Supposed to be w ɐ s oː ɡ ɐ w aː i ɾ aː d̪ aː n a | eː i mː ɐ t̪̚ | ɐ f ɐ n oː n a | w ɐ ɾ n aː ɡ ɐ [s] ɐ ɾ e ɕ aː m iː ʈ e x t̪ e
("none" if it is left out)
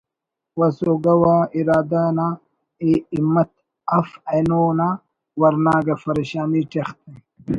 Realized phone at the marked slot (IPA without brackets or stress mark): f